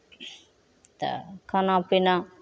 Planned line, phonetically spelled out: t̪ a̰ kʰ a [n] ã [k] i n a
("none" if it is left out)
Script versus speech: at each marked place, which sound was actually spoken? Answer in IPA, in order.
n, p

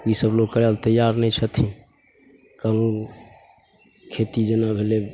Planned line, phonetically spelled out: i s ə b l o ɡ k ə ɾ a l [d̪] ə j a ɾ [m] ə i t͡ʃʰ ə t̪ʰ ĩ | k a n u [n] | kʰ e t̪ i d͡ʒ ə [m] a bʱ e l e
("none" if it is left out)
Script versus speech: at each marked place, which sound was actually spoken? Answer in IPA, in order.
t̪, n, n, n

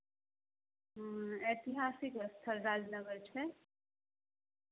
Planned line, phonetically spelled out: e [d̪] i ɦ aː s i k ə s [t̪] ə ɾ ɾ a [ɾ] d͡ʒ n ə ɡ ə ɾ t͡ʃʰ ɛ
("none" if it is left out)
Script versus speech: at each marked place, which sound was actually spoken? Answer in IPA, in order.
t̪, t̪ʰ, none

